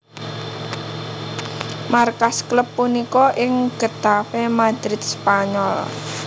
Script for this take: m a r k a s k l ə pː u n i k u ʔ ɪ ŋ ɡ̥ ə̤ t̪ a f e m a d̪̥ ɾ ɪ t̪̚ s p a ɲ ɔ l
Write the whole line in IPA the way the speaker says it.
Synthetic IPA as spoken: m a r k a s k l ə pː u n i k ɔ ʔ ɪ ŋ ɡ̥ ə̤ t̪ a f e m a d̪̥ ɾ ɪ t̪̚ s p a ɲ ɔ l